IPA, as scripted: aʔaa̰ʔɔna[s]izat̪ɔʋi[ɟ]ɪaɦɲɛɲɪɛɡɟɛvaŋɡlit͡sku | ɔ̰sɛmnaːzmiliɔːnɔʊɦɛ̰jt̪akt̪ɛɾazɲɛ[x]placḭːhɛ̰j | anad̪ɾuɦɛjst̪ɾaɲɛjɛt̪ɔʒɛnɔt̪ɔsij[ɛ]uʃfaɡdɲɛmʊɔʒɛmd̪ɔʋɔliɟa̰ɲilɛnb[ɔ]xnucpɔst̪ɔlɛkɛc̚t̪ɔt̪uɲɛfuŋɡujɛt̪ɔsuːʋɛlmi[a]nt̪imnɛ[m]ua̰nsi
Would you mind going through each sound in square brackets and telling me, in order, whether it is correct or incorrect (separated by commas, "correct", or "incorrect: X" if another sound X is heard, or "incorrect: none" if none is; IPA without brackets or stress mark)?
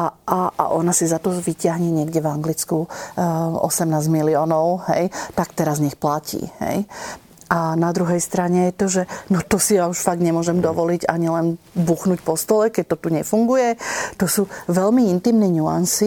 correct, incorrect: c, correct, incorrect: a, incorrect: u, incorrect: i, incorrect: ɲ